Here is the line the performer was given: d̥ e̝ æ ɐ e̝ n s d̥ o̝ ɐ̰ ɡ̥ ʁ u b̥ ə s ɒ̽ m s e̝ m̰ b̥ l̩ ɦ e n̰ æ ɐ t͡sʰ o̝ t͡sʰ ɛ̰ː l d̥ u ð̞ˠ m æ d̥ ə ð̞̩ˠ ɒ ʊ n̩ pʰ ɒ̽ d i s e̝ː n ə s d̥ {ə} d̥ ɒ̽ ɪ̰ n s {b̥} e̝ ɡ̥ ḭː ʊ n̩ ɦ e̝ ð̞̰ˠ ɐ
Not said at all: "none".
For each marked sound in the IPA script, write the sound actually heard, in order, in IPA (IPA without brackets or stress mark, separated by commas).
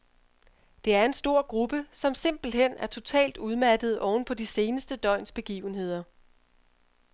ə, b̥